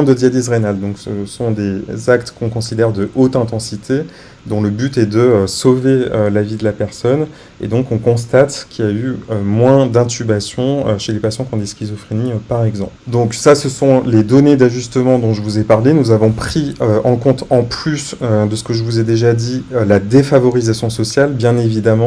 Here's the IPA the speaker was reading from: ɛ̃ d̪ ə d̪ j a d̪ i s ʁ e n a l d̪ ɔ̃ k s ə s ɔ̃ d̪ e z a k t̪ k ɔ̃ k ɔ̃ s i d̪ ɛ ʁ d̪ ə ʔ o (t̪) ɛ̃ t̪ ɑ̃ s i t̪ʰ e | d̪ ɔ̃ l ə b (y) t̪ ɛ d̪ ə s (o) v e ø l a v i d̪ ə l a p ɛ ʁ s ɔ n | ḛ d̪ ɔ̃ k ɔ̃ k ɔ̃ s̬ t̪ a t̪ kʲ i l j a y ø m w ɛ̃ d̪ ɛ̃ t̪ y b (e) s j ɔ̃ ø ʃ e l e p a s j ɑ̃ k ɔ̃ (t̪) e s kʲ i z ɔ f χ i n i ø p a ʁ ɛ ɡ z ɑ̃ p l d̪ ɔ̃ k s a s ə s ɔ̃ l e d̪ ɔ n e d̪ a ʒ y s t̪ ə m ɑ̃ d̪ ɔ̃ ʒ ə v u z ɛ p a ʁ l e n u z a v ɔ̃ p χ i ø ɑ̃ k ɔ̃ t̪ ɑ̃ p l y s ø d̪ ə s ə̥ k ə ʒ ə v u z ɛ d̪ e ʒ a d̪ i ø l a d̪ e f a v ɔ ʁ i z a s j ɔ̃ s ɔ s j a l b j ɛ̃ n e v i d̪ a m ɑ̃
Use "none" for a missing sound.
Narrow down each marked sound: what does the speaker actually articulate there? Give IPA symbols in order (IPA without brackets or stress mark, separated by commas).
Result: t̪, y, o, a, d̪